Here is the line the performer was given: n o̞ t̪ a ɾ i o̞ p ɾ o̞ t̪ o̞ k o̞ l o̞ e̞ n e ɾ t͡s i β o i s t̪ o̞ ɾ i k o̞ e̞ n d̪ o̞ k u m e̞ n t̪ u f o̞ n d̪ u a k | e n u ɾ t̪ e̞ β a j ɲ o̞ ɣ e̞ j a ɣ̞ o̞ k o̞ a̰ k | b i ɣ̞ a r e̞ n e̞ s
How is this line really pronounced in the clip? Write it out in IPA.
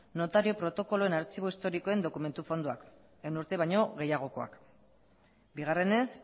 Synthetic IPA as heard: n o̞ t̪ a ɾ i o̞ p ɾ o̞ t̪ o̞ k o̞ l o̞ e̞ n a ɾ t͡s i β o i s t̪ o̞ ɾ i k o̞ e̞ n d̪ o̞ k u m e̞ n t̪ u f o̞ n d̪ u a k | e n u ɾ t̪ e̞ β a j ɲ o̞ ɣ e̞ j a ɣ̞ o̞ k o̞ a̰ k | b i ɣ̞ a r e̞ n e̞ s